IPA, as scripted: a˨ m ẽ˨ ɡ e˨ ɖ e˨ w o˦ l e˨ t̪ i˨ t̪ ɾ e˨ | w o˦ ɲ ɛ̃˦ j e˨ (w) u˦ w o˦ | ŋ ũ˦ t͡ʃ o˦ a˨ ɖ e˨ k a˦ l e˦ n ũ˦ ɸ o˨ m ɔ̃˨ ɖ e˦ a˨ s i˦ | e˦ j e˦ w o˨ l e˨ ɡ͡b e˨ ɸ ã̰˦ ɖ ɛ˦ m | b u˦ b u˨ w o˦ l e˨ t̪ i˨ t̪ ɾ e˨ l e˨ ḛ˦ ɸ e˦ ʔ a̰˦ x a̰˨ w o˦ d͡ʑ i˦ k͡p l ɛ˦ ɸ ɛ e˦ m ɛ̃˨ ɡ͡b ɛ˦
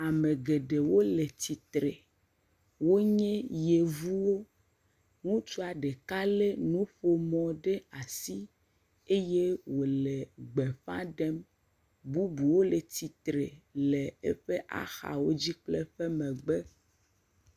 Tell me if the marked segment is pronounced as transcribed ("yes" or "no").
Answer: no